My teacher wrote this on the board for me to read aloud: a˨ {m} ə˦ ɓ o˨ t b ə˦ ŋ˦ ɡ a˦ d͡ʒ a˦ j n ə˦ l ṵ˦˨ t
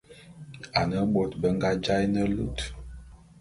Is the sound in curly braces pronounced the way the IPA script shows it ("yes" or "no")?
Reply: no